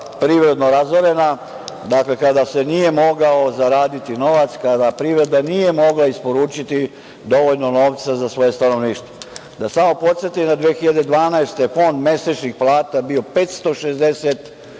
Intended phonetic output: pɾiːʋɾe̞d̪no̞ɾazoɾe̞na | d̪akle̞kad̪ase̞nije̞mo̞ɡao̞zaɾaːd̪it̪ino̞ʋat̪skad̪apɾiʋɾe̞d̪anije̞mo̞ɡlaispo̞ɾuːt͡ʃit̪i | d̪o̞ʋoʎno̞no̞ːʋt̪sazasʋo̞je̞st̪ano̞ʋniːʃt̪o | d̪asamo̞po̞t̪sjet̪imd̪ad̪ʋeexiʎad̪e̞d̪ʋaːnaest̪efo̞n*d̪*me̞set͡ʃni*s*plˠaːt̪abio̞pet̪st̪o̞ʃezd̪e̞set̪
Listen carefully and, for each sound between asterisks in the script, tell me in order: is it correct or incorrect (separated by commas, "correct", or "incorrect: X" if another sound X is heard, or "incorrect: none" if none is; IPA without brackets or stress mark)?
correct, incorrect: x